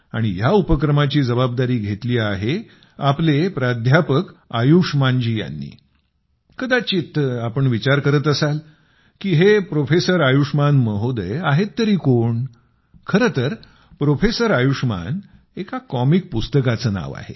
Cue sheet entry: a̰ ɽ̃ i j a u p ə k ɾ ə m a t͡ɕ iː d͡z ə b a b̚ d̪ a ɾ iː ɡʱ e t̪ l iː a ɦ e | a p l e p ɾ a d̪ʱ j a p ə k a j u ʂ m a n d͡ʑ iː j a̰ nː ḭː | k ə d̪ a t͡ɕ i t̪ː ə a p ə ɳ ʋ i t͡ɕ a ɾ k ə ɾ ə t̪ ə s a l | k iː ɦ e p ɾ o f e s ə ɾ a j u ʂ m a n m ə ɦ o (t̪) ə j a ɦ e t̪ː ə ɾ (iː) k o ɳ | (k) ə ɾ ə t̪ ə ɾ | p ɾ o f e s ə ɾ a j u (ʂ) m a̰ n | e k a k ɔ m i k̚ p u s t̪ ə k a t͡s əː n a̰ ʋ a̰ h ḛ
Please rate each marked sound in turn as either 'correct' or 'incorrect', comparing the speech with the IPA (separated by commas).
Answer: incorrect, correct, incorrect, correct